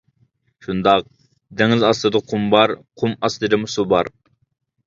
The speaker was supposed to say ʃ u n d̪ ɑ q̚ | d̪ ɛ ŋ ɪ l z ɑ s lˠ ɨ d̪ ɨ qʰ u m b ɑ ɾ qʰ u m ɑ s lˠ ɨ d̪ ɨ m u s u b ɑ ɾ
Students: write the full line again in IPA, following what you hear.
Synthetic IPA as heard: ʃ u n d̪ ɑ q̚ | d̪ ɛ ŋ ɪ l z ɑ s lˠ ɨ d̪ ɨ qʰ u m b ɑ ɾ qʰ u m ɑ s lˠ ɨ d̪ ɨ m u s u b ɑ ɾ